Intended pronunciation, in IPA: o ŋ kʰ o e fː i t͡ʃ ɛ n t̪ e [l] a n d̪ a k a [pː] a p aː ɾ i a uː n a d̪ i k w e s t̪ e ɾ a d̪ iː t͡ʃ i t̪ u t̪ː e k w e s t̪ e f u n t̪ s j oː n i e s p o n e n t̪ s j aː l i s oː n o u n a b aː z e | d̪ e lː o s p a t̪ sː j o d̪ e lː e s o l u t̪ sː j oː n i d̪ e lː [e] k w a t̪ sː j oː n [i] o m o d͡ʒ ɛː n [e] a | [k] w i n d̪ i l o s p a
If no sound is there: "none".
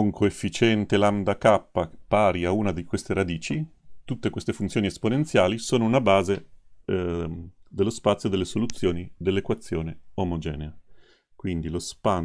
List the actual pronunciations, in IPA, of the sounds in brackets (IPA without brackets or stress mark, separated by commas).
l, pː, e, e, e, k